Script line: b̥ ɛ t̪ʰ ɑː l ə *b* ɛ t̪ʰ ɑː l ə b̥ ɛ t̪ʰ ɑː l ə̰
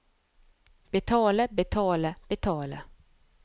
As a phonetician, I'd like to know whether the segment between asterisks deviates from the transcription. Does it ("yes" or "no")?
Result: no